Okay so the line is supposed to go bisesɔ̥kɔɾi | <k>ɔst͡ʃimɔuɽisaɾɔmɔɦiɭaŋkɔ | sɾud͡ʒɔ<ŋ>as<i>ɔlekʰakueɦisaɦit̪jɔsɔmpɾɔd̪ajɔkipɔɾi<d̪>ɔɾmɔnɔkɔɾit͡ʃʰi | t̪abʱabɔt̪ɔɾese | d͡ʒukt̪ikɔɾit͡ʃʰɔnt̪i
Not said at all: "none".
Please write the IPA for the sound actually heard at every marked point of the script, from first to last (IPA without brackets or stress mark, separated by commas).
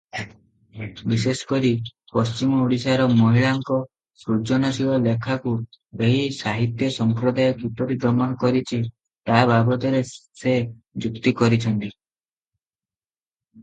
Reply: p, n, i, d̪